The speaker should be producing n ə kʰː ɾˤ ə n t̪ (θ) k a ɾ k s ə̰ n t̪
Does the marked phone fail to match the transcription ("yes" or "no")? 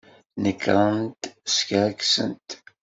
yes